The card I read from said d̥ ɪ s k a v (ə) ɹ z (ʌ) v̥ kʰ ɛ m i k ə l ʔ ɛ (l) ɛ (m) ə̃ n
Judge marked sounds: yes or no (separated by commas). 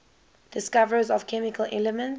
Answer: yes, no, yes, yes